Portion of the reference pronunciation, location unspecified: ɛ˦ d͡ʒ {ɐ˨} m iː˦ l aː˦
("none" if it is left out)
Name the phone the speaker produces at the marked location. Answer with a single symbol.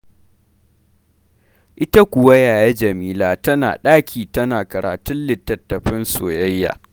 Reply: ɐ˨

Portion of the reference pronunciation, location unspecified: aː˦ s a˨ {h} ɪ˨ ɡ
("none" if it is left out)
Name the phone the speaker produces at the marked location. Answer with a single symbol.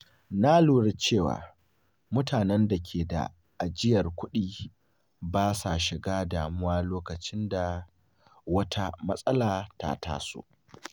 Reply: ʃ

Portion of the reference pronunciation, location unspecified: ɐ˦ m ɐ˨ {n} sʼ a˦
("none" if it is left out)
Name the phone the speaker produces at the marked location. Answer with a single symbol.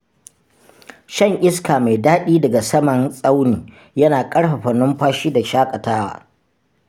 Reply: n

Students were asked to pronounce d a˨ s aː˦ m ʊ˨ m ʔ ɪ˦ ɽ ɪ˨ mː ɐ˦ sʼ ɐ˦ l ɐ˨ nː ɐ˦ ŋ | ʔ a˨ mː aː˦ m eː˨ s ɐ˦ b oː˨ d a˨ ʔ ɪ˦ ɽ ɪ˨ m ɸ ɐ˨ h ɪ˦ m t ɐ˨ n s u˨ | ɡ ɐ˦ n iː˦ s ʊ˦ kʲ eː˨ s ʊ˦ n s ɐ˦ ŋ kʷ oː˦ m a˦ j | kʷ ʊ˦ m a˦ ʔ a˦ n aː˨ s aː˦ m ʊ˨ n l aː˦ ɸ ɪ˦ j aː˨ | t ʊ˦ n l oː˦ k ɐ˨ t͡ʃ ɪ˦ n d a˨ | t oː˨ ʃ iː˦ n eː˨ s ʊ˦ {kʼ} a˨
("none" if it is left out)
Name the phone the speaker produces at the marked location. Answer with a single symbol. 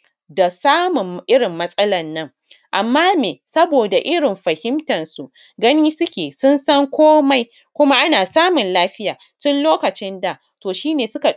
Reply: k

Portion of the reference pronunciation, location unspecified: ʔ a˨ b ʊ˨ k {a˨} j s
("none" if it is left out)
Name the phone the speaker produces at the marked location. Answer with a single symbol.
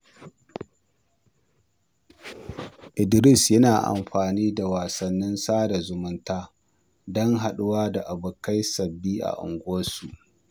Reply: a˦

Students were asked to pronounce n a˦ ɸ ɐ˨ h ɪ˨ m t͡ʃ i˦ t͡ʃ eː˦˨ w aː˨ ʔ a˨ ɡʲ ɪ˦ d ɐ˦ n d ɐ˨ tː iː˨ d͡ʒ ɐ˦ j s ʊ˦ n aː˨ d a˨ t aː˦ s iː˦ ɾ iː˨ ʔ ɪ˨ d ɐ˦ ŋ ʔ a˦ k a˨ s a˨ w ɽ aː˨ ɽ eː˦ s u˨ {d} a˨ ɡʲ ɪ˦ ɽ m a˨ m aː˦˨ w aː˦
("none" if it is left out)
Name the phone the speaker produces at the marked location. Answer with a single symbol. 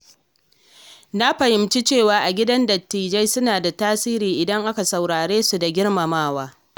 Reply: d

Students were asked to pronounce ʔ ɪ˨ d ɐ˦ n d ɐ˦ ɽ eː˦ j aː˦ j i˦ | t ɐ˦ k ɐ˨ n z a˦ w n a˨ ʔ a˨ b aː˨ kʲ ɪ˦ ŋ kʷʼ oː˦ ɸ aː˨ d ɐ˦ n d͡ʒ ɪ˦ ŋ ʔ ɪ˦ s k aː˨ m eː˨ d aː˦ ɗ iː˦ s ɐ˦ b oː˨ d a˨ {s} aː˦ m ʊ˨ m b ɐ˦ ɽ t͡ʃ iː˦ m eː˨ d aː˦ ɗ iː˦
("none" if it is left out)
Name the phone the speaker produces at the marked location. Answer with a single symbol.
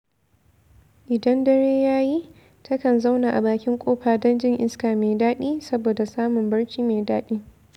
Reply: s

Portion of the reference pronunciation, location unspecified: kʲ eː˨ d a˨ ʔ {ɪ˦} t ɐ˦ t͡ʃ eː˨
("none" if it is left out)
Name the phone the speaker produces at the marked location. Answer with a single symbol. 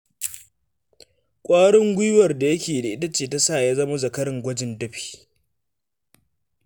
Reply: ɪ˦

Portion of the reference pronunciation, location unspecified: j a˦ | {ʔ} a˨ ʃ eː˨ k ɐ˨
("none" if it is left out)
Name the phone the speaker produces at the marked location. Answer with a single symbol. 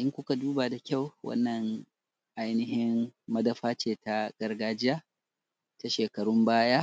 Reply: t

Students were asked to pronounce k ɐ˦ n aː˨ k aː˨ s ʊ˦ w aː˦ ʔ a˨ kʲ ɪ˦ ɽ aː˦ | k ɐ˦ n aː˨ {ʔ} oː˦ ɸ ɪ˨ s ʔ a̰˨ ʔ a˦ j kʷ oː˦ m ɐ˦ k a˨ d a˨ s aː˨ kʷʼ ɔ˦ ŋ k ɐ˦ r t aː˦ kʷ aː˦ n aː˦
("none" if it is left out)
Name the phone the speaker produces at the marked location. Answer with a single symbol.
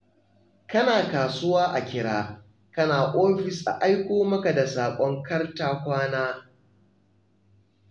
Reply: ʔ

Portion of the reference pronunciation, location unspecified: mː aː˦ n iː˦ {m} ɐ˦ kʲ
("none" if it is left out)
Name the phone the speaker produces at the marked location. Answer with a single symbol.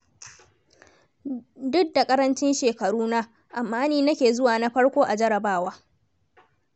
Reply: n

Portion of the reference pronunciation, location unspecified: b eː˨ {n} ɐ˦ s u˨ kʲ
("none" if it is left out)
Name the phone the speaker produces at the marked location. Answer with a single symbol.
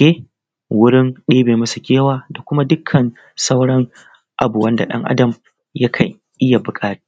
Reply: m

